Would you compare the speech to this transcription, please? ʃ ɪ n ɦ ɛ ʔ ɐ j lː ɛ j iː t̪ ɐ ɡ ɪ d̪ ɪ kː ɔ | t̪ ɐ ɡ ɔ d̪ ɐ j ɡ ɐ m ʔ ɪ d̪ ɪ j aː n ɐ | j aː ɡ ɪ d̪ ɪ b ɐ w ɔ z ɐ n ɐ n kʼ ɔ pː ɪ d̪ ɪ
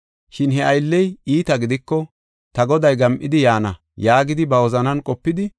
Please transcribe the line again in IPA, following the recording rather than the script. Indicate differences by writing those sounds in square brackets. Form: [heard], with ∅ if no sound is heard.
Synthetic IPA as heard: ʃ ɪ n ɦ ɛ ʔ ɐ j lː ɛ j iː t̪ ɐ ɡ ɪ d̪ ɪ kː ɔ | t̪ ɐ ɡ ɔ d̪ ɐ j ɡ ɐ m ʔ ɪ d̪ ɪ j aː n ɐ | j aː ɡ ɪ d̪ ɪ b ɐ w ɔ z ɐ n ɐ n kʼ ɔ pː ɪ d̪ ɪ